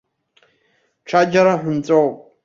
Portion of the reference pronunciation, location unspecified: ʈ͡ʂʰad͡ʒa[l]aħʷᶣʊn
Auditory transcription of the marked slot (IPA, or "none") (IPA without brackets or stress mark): ɾ